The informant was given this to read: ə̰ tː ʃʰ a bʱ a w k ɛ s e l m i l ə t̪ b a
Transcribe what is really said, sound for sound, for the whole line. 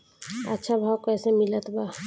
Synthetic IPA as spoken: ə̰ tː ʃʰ a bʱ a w k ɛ s e m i l ə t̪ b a

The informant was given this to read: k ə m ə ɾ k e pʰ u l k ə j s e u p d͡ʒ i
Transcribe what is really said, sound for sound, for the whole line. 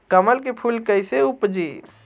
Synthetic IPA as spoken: k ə m ə l k e pʰ u l k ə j s e u p d͡ʒ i

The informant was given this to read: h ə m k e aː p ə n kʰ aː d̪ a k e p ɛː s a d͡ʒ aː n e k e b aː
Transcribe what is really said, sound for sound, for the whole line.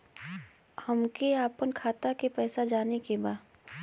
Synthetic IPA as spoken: h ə m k e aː p ə n kʰ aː t̪ a k e p ɛː s a d͡ʒ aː n e k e b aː

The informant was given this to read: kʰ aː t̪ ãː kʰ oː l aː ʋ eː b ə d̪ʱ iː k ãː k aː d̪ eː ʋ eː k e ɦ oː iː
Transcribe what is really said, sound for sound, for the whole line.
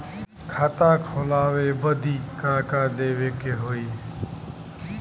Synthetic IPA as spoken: kʰ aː t̪ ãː kʰ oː l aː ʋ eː b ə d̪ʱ iː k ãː k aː d̪ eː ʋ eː k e ɦ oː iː

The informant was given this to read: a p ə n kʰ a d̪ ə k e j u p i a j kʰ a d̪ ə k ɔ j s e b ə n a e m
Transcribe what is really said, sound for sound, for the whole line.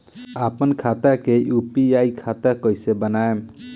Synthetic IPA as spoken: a p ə n kʰ a t̪ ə k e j u p i a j kʰ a t̪ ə k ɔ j s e b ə n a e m

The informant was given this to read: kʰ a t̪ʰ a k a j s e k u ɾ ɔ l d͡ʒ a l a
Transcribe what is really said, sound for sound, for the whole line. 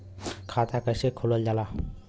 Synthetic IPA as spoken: kʰ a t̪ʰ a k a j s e kʰ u l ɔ l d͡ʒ a l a

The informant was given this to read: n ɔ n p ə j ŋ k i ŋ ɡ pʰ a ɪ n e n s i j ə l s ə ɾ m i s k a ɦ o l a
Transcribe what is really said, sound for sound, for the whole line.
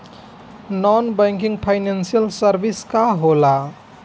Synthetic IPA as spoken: n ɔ n b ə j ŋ k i ŋ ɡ pʰ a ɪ n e n s i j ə l s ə ɾ b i s k a ɦ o l a

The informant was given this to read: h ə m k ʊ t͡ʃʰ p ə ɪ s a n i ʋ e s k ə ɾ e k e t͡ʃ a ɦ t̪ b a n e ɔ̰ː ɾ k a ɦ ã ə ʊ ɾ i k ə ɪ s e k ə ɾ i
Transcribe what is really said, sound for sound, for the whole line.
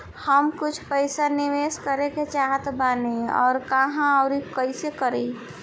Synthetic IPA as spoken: h ə m k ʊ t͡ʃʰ p ə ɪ s a n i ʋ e s k ə ɾ e k e t͡ʃ a ɦ t̪ b a n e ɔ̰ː ɾ k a ɦ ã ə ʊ ɾ i k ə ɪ s e k ə ɾ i

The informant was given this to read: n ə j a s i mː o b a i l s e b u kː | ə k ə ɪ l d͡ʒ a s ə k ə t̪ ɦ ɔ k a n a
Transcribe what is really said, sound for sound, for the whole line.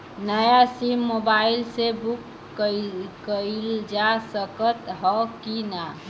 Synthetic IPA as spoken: n ə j a s i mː o b a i l s e b u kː | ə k ə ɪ l d͡ʒ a s ə k ə t̪ ɦ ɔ k i n a

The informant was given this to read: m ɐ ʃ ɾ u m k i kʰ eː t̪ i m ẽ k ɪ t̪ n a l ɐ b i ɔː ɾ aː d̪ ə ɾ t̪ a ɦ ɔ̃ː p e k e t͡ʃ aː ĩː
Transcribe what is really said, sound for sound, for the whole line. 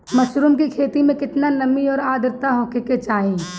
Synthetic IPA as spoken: m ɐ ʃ ɾ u m k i kʰ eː t̪ i m ẽ k ɪ t̪ n a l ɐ m i ɔː ɾ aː d̪ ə ɾ t̪ a ɦ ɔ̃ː k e k e t͡ʃ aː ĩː

